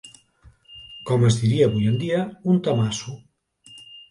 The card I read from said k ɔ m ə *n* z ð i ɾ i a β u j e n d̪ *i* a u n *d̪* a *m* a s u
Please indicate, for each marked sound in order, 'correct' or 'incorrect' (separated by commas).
incorrect, correct, incorrect, correct